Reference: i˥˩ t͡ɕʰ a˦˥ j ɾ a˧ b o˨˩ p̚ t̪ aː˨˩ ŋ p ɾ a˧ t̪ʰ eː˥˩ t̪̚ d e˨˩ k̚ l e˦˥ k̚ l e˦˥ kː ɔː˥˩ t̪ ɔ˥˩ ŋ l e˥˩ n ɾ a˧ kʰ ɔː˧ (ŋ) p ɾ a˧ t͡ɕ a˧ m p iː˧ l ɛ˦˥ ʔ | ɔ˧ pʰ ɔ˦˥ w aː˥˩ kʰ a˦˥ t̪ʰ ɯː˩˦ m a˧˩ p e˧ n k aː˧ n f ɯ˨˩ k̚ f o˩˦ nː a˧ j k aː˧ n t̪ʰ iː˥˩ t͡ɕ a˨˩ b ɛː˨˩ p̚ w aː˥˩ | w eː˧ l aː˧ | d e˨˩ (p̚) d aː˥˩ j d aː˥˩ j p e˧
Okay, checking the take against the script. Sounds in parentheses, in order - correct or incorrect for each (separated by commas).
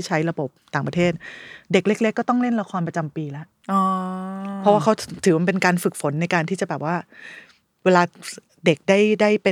incorrect, incorrect